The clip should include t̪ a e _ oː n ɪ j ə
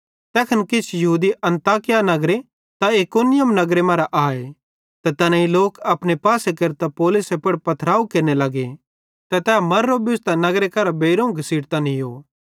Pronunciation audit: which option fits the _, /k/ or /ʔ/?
k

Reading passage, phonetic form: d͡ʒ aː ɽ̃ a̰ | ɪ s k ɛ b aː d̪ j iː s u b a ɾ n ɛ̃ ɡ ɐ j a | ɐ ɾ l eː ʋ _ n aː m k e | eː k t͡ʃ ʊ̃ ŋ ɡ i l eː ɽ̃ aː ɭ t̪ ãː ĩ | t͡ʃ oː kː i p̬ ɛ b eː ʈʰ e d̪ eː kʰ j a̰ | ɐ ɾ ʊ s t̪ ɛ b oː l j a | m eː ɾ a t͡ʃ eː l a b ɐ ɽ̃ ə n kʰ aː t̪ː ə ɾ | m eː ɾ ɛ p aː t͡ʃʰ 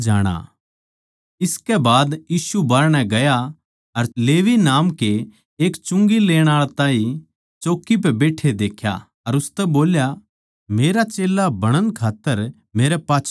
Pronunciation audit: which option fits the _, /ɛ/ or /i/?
i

